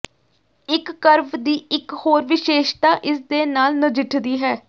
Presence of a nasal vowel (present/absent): absent